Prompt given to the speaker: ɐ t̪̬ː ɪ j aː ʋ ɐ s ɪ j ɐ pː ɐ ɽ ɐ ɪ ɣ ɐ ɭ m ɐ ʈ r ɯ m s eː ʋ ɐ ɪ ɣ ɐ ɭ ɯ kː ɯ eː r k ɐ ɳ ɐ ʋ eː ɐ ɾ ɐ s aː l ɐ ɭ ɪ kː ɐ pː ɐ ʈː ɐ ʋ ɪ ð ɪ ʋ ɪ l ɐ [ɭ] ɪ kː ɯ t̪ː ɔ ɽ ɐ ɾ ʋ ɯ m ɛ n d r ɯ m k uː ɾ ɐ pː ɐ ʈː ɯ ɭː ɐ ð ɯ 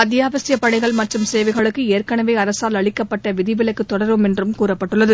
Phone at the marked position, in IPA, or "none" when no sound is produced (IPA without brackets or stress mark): none